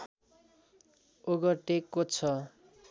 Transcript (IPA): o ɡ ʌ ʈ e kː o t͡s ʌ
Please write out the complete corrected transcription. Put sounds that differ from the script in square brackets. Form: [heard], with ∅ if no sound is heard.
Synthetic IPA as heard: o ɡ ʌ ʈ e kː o [t͡sʰ] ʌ